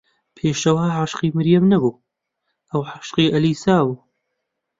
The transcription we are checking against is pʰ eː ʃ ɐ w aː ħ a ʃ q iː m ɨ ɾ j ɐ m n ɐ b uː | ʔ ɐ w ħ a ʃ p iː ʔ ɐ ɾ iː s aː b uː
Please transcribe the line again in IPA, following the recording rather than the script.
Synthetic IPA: pʰ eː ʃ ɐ w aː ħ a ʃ q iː m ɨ ɾ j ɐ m n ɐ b uː | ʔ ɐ w ħ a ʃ q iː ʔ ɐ l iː s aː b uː